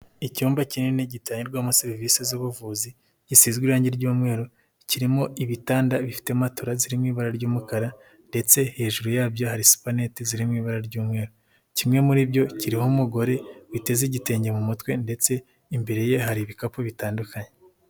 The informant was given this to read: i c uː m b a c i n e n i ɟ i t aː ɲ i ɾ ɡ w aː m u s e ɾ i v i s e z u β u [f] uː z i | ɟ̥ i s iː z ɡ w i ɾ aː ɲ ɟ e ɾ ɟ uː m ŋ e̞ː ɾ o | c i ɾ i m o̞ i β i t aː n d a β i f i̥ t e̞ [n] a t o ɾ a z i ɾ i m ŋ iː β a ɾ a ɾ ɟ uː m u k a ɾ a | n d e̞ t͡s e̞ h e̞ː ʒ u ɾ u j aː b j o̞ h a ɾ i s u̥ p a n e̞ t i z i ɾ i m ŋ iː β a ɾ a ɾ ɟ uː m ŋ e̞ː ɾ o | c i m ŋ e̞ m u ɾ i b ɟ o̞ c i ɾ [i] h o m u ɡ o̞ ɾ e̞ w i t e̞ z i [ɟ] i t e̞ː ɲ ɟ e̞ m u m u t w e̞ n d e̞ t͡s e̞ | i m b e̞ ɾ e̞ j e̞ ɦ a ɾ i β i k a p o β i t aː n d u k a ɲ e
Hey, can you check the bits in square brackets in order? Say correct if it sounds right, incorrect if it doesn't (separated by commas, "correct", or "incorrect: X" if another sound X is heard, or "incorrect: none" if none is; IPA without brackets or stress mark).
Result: incorrect: v, incorrect: m, correct, correct